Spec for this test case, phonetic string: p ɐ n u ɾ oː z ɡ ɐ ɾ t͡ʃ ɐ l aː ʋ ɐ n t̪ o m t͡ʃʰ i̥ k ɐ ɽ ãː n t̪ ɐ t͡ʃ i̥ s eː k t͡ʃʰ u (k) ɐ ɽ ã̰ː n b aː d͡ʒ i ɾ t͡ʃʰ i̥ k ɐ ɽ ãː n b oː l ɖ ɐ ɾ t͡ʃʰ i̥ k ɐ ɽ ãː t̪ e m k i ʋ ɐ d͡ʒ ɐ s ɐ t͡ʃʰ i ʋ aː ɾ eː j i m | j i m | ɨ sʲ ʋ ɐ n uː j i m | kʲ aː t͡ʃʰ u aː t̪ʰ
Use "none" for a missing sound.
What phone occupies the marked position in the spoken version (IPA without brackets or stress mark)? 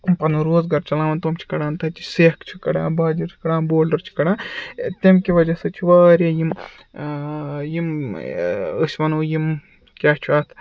k